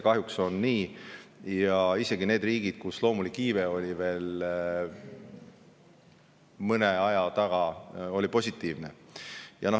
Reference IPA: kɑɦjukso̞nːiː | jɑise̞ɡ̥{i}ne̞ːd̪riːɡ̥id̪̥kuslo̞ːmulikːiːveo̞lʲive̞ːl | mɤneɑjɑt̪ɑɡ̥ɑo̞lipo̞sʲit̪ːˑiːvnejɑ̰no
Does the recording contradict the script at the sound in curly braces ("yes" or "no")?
no